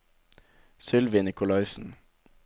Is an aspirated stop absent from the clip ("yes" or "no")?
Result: yes